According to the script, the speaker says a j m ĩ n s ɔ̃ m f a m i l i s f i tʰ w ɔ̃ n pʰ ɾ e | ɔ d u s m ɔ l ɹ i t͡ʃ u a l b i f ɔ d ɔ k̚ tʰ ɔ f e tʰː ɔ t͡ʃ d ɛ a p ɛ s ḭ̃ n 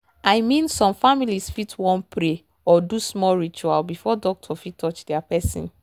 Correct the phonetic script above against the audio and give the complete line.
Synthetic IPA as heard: a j m ĩ n s ɔ̃ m f a m i l i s f i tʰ w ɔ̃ n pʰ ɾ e | ɔ d u s m ɔ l ɹ i t͡ʃ u a l b i f ɔ d ɔ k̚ tʰ ɔ f i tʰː ɔ t͡ʃ d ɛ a p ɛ s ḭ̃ n